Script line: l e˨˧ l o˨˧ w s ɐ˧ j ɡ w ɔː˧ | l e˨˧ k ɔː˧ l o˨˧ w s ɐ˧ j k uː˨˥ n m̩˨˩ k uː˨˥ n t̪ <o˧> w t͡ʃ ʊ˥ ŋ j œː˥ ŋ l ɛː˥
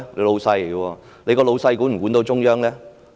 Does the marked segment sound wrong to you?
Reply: no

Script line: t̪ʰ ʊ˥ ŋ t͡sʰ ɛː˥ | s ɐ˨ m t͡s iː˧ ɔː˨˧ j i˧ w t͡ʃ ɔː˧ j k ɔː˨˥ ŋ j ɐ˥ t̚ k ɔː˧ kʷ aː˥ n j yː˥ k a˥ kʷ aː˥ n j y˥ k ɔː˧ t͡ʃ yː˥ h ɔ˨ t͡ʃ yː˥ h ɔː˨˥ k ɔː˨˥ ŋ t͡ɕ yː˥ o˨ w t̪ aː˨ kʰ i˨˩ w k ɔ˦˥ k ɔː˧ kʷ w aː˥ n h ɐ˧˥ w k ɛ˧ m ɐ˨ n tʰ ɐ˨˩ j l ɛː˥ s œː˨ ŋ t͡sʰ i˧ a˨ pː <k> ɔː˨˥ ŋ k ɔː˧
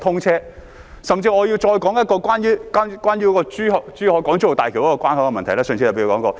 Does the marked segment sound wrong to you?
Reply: no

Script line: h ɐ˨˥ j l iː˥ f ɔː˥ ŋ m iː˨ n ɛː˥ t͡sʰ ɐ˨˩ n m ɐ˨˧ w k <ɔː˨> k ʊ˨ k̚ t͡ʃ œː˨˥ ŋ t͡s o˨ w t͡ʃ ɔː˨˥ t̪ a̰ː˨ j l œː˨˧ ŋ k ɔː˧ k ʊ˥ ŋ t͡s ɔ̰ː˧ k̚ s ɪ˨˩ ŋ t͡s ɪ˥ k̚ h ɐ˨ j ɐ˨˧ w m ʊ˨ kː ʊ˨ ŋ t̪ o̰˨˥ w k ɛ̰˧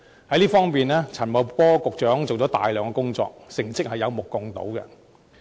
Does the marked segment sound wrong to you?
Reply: yes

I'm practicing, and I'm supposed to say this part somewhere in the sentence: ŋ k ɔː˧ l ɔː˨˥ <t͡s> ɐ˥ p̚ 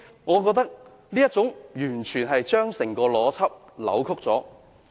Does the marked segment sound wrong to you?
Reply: yes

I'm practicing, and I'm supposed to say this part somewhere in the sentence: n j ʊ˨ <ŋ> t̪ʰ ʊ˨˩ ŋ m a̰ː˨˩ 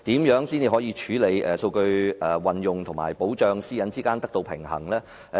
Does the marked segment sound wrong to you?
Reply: no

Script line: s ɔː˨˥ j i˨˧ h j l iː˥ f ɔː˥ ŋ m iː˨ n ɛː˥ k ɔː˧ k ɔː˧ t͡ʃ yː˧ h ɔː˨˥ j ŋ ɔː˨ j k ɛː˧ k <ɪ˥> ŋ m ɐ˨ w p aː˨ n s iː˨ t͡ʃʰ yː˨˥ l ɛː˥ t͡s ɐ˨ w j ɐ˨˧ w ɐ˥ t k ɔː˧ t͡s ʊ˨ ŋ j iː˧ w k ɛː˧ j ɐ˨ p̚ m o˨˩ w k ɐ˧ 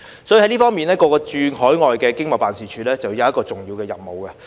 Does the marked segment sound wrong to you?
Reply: no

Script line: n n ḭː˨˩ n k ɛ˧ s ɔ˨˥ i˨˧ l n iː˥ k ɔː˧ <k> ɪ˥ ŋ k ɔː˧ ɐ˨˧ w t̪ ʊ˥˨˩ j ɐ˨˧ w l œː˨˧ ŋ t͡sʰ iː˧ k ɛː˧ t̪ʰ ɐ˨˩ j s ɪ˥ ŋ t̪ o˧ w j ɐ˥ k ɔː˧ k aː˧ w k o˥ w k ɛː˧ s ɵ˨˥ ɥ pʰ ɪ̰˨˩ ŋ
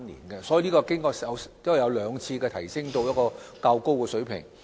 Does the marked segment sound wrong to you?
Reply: no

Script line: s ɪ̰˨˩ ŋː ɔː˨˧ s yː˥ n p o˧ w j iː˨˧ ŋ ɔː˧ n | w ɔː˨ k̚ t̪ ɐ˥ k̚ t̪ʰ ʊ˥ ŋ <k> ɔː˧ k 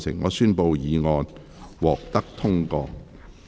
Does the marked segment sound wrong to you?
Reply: no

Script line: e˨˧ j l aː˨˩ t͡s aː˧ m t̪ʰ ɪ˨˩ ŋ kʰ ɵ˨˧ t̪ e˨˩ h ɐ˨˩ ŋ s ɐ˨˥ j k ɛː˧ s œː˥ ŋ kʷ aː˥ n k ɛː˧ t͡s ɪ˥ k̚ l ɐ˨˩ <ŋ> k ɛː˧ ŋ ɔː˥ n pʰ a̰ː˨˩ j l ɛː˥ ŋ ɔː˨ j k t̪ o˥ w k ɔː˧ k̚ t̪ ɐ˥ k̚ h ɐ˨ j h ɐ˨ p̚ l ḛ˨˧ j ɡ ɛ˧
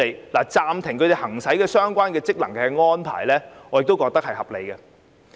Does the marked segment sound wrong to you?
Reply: no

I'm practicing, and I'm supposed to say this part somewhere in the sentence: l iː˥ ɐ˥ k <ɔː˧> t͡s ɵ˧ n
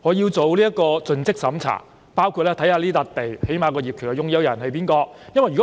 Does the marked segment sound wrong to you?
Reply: no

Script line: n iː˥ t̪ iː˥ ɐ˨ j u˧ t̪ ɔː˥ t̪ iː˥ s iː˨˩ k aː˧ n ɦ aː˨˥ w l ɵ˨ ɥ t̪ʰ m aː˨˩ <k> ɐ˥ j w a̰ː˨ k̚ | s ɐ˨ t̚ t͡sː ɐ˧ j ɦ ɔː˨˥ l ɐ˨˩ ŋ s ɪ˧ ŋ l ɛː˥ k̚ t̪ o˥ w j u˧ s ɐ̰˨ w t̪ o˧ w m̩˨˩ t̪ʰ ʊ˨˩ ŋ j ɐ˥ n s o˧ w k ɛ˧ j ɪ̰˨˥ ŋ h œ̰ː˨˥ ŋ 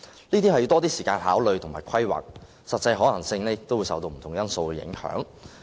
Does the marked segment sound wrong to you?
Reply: yes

